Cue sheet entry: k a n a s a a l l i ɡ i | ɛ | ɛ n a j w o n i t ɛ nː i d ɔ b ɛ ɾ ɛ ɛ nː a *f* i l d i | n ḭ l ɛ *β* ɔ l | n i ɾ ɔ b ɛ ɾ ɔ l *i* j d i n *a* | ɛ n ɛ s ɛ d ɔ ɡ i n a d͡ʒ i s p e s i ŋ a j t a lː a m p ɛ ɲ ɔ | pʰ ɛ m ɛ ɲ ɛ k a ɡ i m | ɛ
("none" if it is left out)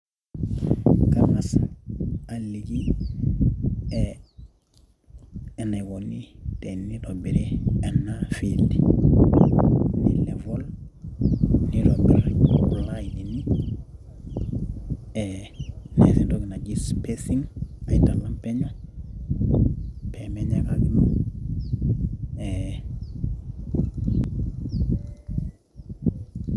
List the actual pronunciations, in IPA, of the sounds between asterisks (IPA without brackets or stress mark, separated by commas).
f, v, a, i